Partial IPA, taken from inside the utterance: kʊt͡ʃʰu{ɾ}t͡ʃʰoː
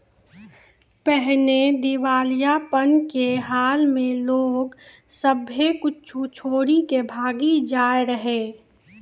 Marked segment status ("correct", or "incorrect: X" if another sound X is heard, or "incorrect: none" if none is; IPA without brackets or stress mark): incorrect: none